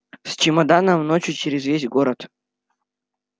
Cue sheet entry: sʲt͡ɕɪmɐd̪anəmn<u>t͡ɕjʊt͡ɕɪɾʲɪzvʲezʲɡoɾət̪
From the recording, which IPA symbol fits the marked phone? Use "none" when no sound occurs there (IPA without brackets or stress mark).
o